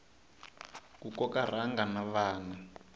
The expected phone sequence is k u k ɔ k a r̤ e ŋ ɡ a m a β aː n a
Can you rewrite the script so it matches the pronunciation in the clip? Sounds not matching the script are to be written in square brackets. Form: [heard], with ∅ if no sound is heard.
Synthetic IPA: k u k ɔ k a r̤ [a] ŋ ɡ a [n] a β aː n a